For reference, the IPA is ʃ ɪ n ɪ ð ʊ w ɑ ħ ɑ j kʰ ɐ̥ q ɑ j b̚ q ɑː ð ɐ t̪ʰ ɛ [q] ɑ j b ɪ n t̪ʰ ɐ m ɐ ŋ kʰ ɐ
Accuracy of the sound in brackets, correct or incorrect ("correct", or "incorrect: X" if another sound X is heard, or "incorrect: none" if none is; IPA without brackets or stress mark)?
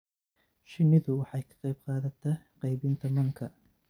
correct